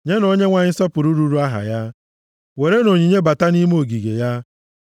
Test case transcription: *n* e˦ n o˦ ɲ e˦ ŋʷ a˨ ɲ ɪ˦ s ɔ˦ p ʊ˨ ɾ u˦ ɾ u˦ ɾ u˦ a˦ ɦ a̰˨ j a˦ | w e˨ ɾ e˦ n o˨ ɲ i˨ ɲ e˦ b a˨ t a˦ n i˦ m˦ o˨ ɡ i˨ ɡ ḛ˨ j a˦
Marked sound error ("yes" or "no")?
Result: yes